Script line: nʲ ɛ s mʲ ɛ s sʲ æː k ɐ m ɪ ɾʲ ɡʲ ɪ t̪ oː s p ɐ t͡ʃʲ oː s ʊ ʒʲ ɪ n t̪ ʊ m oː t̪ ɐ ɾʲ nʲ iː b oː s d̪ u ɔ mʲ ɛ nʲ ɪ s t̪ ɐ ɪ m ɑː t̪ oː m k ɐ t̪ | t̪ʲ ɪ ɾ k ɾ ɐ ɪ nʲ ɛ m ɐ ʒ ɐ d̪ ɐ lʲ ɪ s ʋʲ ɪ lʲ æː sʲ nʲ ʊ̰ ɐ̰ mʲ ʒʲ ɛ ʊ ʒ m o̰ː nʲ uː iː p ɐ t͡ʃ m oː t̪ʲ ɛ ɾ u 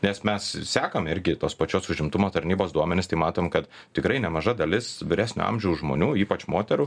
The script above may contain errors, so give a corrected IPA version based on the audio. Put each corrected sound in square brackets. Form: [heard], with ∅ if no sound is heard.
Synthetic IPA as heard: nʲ ɛ s mʲ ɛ s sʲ æː k ɐ m ɪ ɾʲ ɡʲ ɪ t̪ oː s p ɐ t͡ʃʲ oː s ʊ ʒʲ ɪ [m] t̪ ʊ m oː t̪ ɐ ɾʲ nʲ iː b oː s d̪ u ɔ mʲ ɛ nʲ ɪ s t̪ ɐ ɪ m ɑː t̪ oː m k ɐ t̪ | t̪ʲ ɪ [∅] k ɾ ɐ ɪ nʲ ɛ m ɐ ʒ ɐ d̪ ɐ lʲ ɪ s ʋʲ ɪ [ɾʲ] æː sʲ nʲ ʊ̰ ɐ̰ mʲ ʒʲ ɛ ʊ ʒ m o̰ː nʲ uː iː p ɐ t͡ʃ m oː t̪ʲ ɛ ɾ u